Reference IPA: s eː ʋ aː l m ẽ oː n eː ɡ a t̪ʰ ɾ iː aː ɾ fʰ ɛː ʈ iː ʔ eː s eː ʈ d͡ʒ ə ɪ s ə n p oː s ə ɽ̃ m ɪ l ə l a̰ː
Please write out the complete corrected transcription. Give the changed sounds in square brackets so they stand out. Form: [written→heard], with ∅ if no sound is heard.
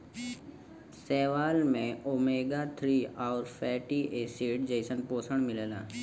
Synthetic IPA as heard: s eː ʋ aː l m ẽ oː [n→m] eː ɡ a t̪ʰ ɾ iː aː ɾ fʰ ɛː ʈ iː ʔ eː s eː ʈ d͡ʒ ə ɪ s ə n p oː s ə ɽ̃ m ɪ l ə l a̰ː